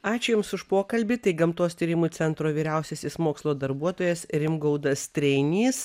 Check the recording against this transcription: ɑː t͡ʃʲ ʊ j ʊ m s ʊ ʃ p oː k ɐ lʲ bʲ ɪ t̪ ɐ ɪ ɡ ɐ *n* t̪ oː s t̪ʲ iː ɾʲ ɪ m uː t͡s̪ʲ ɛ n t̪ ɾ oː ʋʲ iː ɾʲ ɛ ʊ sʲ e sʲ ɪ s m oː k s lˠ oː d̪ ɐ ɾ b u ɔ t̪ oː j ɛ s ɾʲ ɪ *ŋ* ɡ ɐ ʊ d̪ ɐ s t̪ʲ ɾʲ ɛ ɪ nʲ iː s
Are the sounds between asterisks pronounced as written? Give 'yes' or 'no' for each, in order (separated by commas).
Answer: no, no